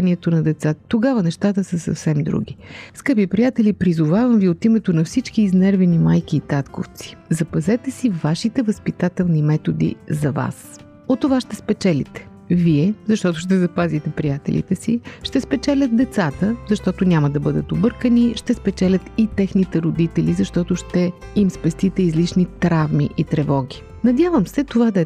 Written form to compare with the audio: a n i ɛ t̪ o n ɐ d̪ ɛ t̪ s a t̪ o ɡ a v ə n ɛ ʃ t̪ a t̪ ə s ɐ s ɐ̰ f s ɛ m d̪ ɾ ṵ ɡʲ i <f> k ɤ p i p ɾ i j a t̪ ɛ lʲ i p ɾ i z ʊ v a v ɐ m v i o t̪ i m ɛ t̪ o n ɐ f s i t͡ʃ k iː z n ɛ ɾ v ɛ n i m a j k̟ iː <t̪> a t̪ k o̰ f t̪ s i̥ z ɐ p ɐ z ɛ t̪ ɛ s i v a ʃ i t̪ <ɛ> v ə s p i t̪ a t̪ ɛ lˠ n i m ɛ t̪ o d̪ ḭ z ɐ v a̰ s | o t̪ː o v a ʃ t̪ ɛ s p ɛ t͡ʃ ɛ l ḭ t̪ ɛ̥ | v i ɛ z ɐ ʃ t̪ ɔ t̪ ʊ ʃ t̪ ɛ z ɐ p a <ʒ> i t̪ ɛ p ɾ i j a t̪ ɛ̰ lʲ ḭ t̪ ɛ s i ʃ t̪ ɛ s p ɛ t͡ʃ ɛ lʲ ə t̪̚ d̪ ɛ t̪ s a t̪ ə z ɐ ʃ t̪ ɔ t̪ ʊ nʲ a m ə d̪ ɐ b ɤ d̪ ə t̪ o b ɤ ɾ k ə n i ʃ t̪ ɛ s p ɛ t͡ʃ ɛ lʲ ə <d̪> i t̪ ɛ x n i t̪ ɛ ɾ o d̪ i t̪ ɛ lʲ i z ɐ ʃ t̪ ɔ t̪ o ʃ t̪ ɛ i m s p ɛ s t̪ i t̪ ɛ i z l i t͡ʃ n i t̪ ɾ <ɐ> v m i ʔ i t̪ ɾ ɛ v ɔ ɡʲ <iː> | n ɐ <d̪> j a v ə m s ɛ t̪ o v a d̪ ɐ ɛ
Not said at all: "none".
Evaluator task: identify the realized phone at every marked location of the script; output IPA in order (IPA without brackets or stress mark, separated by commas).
s, t̪, ɛ, z, t̪, a, i, d̪